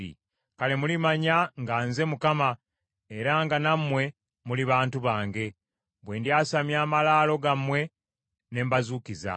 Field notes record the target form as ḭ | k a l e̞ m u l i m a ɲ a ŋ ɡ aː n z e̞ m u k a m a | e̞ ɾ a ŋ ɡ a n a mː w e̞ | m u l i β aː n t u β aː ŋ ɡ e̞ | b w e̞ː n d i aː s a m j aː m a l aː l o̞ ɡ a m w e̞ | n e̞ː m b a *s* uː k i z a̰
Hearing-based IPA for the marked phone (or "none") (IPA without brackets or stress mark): z